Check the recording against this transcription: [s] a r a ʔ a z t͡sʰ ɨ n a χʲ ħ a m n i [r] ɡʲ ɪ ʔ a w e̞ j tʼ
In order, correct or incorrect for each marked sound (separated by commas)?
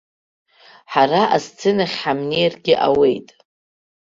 incorrect, correct